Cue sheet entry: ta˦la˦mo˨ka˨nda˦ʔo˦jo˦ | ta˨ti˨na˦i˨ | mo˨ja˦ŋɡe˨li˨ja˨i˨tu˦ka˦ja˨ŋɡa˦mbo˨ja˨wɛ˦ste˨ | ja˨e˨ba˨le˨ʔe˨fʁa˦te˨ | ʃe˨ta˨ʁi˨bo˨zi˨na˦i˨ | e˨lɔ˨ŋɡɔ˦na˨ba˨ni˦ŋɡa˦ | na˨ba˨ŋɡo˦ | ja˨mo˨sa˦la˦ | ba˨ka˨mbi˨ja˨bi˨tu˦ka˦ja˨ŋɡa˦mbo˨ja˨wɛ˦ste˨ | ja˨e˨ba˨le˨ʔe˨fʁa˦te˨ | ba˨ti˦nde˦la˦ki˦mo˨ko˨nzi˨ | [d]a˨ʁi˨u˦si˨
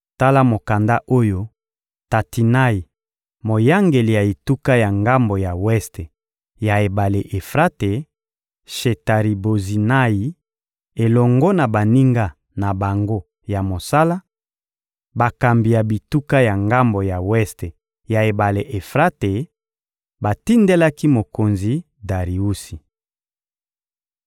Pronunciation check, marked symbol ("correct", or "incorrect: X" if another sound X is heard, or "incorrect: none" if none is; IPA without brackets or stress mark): correct